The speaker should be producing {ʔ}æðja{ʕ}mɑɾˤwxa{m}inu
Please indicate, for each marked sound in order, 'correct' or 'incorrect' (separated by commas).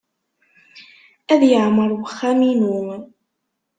correct, correct, correct